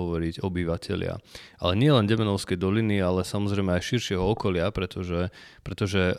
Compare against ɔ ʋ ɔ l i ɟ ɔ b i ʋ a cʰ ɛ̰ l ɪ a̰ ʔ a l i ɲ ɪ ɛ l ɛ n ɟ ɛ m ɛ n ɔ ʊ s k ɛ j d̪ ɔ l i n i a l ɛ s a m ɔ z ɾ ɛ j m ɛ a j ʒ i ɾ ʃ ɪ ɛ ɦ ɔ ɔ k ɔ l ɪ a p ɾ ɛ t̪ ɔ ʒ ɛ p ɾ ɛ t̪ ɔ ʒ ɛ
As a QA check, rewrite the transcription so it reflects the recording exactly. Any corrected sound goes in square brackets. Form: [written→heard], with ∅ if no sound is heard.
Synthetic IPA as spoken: ɔ ʋ ɔ [l→ɾ] i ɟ ɔ b i ʋ a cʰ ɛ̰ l ɪ a̰ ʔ a l [i→ɛ] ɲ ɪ ɛ l ɛ n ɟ ɛ m ɛ n ɔ ʊ s k ɛ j d̪ ɔ l i n i a l ɛ s a m ɔ z ɾ ɛ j m ɛ a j [ʒ→ʃ] i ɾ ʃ ɪ ɛ ɦ ɔ ɔ k ɔ l ɪ a p ɾ ɛ t̪ ɔ ʒ ɛ p ɾ ɛ t̪ ɔ ʒ ɛ